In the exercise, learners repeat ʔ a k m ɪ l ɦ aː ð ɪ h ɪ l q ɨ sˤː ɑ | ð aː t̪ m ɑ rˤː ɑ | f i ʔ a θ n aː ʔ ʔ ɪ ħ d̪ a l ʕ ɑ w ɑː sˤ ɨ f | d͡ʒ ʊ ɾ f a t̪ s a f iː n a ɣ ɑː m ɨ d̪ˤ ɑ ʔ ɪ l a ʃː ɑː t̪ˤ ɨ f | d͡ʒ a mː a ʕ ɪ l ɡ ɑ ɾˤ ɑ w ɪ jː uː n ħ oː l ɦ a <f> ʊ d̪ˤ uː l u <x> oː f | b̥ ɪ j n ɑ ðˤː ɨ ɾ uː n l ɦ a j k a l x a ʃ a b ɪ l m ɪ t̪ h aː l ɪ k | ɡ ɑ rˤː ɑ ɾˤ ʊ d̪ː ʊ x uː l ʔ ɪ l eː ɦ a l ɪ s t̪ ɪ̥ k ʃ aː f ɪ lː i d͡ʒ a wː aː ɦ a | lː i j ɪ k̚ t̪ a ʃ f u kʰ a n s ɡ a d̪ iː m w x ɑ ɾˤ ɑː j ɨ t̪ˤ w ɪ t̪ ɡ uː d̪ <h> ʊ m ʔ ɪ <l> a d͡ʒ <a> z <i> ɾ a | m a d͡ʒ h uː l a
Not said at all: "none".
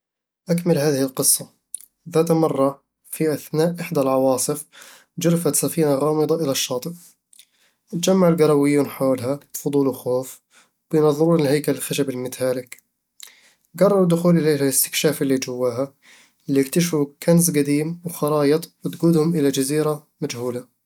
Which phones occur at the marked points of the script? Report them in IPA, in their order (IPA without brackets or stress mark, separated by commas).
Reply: f, x, h, l, a, iː